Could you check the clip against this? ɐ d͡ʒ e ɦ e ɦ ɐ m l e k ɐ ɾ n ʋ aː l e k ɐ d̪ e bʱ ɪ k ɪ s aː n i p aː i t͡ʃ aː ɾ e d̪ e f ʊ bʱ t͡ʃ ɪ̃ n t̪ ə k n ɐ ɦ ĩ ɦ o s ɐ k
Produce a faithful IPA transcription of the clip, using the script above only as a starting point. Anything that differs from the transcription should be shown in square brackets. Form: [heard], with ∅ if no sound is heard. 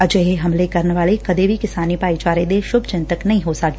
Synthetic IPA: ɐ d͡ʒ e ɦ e ɦ ɐ m l e k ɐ ɾ n ʋ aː l e k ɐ d̪ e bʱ [i] k ɪ s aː n i p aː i t͡ʃ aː ɾ e d̪ e [ʃ] ʊ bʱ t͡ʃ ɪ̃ n t̪ ə k n ɐ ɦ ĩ ɦ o s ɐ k